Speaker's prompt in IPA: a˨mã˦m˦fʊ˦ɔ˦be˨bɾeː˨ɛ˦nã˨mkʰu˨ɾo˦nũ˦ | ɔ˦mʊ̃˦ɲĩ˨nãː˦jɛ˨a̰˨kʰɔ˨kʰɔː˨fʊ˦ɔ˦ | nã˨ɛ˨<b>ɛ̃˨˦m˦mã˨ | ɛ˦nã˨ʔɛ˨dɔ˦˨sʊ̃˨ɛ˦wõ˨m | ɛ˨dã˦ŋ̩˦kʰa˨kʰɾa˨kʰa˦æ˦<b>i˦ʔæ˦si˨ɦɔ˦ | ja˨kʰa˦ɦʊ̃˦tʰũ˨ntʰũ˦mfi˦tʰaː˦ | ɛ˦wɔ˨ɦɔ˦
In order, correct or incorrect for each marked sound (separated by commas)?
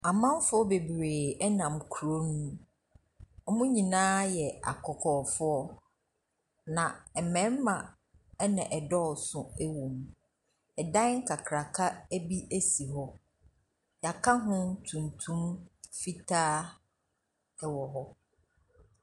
incorrect, correct